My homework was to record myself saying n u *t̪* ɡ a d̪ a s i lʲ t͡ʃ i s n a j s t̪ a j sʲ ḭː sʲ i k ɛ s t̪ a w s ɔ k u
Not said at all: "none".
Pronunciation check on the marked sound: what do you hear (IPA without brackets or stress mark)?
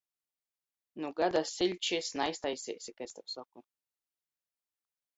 none